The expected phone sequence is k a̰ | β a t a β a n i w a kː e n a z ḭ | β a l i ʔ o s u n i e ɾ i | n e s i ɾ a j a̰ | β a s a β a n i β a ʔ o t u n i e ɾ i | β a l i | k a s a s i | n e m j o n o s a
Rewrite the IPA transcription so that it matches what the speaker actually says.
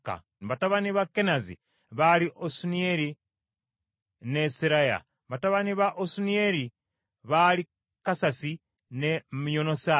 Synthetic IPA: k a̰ | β a t a β a n i β a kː e n a z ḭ | β a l i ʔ o s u n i e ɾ i | n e s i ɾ a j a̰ | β a t a β a n i β a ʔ o s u n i e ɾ i | β a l i | k a s a s i | n e m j o n o s a

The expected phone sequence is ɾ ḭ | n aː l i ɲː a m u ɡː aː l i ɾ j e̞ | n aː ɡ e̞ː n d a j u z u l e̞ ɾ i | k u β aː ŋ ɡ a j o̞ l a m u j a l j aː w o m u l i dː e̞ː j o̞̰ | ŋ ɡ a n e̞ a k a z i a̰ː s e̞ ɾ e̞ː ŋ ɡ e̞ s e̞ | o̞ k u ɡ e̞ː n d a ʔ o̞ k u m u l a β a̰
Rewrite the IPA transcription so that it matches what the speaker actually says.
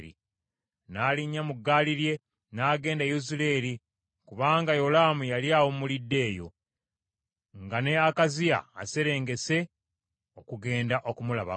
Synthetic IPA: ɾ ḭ | n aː l i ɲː a m u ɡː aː l i ɾ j e̞ | n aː ɡ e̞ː n d a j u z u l e̞ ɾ i | k u β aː ŋ ɡ a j o̞ l a m u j a l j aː w o m u l i dː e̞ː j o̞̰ | ŋ ɡ a n e̞ a k a z i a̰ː s e̞ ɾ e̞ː ŋ ɡ e̞ s e̞ | o̞ k u ɡ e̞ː n d a ʔ o̞ k u m u l a β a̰

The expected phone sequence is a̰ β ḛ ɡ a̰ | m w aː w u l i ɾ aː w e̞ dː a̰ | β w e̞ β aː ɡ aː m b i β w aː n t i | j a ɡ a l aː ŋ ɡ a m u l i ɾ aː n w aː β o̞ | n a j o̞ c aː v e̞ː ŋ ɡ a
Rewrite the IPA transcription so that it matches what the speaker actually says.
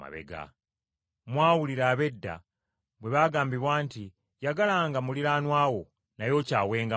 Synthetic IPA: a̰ β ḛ ɡ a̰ | m w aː w u l i ɾ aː β e̞ dː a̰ | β w e̞ β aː ɡ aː m b i β w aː n t i | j a ɡ a l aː ŋ ɡ a m u l i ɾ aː n w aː w o̞ | n a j o̞ c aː w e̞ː ŋ ɡ a

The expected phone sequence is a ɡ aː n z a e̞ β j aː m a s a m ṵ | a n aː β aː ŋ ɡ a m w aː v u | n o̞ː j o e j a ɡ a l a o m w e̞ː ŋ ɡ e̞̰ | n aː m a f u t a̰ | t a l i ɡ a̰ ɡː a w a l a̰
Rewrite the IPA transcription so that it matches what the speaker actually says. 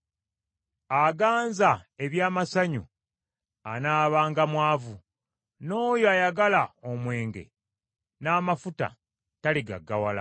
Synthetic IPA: a ɡ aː n z a e̞ β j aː m a s a ɲ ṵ | a n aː β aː ŋ ɡ a m w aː v u | n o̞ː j o a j a ɡ a l a o m w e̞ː ŋ ɡ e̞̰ | n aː m a f u t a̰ | t a l i ɡ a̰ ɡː a w a l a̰

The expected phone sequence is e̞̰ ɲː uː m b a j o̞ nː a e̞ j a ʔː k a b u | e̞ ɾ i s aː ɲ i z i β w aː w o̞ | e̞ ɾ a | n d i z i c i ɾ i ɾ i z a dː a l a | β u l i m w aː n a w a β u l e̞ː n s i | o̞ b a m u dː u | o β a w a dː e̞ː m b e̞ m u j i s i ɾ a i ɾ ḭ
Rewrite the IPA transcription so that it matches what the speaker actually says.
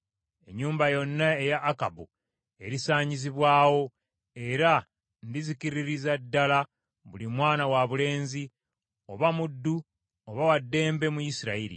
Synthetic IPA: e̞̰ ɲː uː m b a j o̞ nː a e̞ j a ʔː k a b u | e̞ ɾ i s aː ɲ i z i β w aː w o̞ | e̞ ɾ a | n d i z i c i ɾ i ɾ i z a dː a l a | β u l i m w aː n a w a β u l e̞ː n z i | o̞ β a m u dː u | o β a w a dː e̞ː m b e̞ m u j i s i ɾ a i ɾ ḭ

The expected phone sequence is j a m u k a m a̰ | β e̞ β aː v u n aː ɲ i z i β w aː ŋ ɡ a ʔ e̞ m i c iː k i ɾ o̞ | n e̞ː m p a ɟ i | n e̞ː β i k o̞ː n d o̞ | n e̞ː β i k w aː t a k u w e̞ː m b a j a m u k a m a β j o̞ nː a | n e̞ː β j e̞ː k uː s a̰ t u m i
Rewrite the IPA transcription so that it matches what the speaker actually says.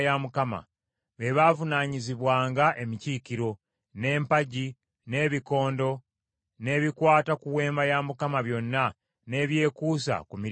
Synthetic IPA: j a m u k a m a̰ | β e̞ β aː v u n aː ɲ i z i β w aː ŋ ɡ a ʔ e̞ m i c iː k i ɾ o̞ | n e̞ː m p a ɟ i | n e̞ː β i k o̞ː n d o̞ | n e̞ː β i k w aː t a k u w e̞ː m b a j a m u k a m a β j o̞ nː a | n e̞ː β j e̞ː k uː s a̰ k u m i

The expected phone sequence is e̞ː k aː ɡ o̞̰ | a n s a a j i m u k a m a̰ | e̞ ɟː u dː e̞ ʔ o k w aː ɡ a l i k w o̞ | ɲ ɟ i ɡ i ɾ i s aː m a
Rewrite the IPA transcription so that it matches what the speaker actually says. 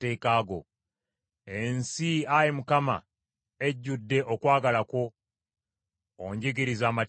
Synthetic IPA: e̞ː k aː ɡ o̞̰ | e n s i a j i m u k a m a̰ | e̞ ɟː u dː e̞ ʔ o k w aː ɡ a l a k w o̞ | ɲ ɟ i ɡ i ɾ i z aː m a

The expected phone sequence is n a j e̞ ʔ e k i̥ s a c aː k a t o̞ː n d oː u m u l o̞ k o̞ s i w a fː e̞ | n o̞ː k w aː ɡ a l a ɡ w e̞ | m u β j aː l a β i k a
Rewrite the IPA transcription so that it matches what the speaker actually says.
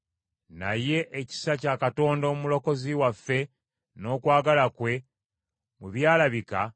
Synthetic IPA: n a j e̞ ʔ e c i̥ s a c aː k a t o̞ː n d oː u m u l o̞ k o̞ z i w a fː e̞ | n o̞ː k w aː ɡ a l a k w e̞ | m u β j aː l a β i k a

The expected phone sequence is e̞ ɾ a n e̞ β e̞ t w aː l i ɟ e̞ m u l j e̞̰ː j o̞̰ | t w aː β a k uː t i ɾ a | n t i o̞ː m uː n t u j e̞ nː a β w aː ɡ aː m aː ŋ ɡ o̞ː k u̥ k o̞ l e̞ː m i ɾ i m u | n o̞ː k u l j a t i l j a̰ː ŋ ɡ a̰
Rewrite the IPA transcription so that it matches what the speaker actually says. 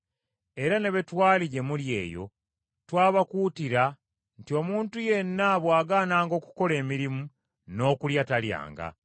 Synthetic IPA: e̞ ɾ a n e̞ β e̞ t w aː l i ɟ e̞ m u l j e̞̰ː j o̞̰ | t w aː β a k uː t i ɾ a | n t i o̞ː m uː n t u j e̞ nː a β w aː ɡ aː n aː ŋ ɡ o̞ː k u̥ k o̞ l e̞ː m i ɾ i m u | n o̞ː k u l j a t a l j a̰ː ŋ ɡ a̰

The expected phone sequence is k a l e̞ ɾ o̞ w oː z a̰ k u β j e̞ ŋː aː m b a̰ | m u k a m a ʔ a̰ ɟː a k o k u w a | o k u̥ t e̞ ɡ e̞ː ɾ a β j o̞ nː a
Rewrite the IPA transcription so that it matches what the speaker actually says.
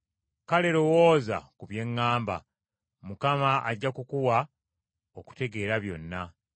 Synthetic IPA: k a l e̞ ɾ o̞ w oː z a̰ k u β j e̞ ŋː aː m b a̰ | m u k a m a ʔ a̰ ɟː a k u k u w a | o k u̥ t e̞ ɡ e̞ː ɾ a β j o̞ nː a

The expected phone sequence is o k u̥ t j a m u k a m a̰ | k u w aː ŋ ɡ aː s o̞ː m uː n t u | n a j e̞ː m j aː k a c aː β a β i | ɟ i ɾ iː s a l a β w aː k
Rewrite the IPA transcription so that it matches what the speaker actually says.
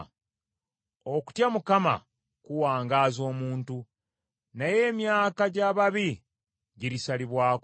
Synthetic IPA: o k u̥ t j a m u k a m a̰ | k u w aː ŋ ɡ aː z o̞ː m uː n t u | n a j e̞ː m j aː k a ɟ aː β a β i | ɟ i ɾ i s a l i β w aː k

